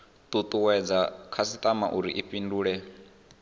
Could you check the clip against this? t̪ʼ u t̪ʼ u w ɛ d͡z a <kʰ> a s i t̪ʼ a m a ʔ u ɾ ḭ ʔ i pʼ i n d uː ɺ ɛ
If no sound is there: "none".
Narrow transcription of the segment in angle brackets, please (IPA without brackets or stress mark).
kʰ